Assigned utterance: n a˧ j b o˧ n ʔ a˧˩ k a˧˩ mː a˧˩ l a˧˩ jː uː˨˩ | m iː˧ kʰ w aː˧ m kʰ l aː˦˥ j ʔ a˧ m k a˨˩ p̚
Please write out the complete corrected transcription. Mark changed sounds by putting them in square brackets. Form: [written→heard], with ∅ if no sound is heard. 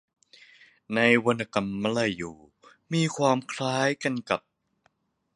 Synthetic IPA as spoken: n a˧ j [b→w] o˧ n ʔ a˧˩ k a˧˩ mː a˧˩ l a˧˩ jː uː˨˩ | m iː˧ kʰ w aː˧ m kʰ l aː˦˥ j [ʔ→k] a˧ [m→n] k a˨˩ p̚